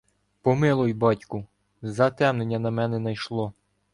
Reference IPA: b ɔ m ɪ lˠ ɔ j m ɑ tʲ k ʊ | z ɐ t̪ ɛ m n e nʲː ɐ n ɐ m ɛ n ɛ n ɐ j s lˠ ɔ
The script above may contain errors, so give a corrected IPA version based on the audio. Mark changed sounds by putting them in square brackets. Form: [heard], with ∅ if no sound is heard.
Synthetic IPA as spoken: [p] ɔ m ɪ lˠ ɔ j [b] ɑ tʲ k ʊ | z ɐ t̪ ɛ m n e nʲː ɐ n ɐ m ɛ n ɛ n ɐ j [ʃ] lˠ ɔ